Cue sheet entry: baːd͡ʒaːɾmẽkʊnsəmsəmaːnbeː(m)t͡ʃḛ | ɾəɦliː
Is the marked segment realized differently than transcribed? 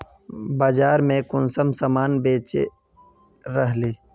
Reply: yes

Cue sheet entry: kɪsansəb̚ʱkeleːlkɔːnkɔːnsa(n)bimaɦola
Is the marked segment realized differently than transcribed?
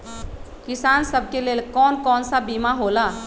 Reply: yes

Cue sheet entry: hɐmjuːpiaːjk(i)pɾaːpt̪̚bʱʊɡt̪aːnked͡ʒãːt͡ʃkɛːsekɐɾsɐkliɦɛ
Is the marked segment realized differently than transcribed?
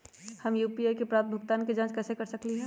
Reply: yes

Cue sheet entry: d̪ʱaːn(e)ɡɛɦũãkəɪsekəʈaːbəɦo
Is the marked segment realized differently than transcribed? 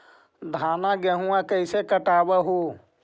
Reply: yes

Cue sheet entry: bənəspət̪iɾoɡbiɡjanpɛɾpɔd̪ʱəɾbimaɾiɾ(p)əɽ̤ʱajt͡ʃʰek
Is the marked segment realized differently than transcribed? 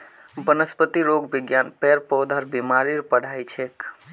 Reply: no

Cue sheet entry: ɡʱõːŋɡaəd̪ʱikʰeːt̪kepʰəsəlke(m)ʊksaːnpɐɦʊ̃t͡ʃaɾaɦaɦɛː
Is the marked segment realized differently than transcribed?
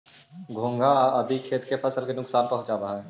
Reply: yes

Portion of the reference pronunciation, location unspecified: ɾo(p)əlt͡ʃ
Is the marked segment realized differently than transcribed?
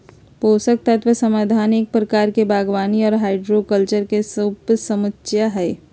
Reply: yes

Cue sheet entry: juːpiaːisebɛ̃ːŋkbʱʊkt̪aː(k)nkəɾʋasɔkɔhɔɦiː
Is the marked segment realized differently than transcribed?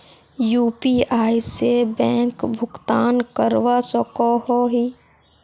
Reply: yes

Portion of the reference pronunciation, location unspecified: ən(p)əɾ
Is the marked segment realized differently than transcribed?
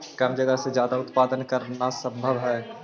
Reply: yes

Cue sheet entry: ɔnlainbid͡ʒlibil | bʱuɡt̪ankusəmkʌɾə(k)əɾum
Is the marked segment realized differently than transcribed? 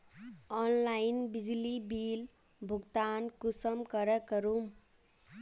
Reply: no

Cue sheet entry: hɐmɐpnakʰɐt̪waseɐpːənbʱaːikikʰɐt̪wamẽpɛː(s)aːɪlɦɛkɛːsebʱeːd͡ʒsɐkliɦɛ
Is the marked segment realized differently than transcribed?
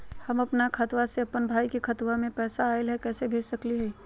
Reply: no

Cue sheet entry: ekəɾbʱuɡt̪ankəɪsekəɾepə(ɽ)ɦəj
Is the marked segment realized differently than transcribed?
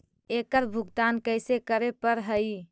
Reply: yes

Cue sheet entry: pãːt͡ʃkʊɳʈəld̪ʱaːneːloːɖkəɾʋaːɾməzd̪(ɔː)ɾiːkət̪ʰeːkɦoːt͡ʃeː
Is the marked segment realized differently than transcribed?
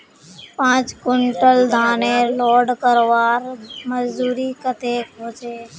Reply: yes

